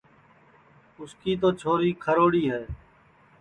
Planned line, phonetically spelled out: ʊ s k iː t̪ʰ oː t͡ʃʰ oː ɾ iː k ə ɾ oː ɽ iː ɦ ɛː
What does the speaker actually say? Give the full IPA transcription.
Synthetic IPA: ʊ s k iː t̪ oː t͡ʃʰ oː ɾ iː kʰ ə ɾ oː ɽ iː ɦ ɛː